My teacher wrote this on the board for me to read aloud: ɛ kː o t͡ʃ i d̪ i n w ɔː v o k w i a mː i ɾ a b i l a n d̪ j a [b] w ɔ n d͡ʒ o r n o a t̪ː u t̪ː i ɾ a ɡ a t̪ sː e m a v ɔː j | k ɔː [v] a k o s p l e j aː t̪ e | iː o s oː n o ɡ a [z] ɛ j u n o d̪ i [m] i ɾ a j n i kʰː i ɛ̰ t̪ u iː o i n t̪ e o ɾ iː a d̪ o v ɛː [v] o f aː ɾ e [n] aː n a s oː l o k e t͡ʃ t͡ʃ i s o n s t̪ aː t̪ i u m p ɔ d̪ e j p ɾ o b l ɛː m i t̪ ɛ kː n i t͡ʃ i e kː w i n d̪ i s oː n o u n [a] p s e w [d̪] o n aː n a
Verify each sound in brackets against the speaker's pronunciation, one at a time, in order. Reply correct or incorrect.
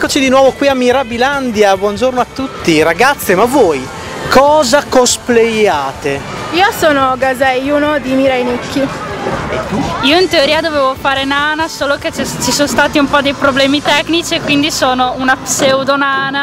correct, incorrect: z, correct, correct, correct, correct, correct, correct

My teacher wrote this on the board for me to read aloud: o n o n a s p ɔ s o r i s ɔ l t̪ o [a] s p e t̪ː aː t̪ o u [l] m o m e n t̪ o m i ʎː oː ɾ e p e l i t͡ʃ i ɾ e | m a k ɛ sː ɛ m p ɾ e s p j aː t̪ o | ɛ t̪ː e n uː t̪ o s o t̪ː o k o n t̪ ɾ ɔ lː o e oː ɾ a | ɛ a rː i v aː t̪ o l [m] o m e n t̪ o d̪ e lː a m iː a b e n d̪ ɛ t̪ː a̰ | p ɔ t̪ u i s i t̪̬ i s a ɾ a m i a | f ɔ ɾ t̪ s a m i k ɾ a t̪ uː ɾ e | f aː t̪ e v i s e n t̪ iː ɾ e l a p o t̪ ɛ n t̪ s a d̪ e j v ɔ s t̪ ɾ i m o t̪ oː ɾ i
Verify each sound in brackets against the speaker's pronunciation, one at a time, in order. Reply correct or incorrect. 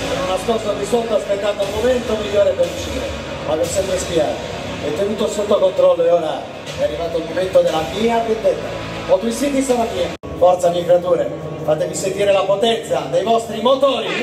correct, correct, correct

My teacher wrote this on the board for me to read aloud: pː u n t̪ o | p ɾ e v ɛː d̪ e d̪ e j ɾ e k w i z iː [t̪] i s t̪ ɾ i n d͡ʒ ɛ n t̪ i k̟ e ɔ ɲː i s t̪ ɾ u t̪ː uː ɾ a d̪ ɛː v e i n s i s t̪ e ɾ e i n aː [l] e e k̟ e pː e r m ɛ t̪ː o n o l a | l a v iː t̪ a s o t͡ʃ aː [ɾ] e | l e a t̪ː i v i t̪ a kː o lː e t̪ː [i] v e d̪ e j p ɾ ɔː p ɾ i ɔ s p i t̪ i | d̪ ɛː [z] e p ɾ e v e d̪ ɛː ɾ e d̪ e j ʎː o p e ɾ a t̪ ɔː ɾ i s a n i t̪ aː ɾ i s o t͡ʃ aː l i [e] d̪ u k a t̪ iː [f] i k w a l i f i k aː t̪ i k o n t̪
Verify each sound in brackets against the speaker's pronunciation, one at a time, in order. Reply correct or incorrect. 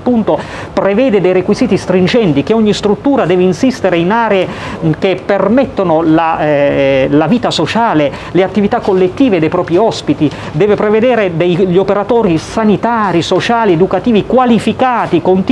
correct, incorrect: ɾ, incorrect: l, incorrect: iː, incorrect: v, correct, incorrect: v

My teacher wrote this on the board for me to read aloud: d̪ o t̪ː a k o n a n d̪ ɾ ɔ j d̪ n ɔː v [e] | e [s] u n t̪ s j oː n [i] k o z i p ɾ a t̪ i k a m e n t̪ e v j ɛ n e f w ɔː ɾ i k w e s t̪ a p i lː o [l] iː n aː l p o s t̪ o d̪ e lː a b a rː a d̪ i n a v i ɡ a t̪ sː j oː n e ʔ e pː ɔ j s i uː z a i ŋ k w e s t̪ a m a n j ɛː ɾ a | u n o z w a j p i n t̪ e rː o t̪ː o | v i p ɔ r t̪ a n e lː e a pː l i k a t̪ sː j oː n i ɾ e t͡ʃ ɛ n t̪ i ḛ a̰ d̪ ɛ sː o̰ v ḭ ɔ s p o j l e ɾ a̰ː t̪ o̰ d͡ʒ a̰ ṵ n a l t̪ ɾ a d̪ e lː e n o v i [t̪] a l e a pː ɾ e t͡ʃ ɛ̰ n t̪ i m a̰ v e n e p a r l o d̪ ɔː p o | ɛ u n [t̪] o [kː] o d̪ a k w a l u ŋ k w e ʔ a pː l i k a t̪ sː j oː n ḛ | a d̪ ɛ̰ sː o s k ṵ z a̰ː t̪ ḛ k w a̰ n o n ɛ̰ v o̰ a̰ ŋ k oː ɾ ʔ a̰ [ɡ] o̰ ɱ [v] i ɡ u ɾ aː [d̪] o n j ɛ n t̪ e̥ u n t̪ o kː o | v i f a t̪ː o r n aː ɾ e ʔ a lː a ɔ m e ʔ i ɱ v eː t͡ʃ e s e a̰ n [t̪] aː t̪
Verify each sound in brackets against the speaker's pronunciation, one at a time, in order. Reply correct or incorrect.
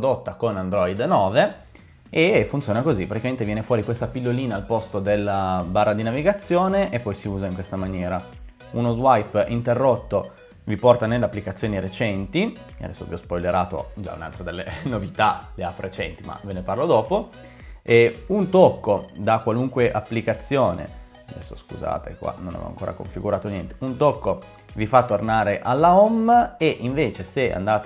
correct, incorrect: f, incorrect: a, correct, correct, correct, correct, incorrect: k, incorrect: f, incorrect: t̪, incorrect: d̪

